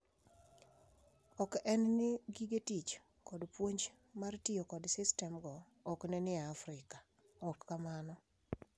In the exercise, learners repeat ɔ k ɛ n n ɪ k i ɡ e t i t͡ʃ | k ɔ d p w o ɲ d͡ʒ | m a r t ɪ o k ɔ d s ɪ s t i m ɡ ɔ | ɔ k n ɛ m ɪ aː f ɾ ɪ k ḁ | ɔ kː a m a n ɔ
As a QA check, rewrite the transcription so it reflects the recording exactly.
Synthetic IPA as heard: ɔ k ɛ n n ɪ ɡ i ɡ e t i t͡ʃ | k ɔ d p w o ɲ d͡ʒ | m a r t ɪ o k ɔ d s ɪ s t ɛ m ɡ ɔ | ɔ k n ɛ n ɪ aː f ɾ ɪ k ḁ | ɔ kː a m a n ɔ